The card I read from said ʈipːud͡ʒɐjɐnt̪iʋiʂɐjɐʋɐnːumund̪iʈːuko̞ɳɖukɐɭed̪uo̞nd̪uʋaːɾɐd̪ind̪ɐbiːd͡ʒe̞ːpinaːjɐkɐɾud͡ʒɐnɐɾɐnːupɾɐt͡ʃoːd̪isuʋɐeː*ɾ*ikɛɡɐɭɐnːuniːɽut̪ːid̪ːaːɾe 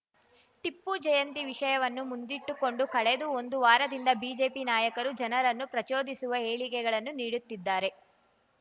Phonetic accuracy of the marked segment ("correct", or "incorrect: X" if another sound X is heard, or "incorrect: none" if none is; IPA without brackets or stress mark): incorrect: ɭ